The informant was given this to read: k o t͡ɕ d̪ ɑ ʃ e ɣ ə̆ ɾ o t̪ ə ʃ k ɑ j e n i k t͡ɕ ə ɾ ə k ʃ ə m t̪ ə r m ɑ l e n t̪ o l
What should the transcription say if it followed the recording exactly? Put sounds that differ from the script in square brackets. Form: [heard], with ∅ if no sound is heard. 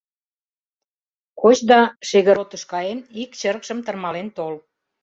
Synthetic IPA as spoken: k o t͡ɕ d̪ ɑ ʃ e ɣ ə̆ ɾ o t̪ ə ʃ k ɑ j e n i k t͡ɕ ə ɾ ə k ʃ ə m t̪ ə r m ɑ l e n t̪ o l